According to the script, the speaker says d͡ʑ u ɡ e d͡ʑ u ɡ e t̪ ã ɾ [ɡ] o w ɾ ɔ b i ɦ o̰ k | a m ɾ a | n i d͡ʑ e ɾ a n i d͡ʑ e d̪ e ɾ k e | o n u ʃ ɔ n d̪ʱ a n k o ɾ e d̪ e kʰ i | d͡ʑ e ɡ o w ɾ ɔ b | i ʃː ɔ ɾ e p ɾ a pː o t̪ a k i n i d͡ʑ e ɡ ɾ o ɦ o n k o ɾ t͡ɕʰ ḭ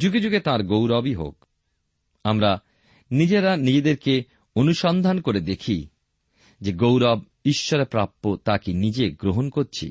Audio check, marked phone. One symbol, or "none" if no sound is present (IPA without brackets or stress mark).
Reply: ɡ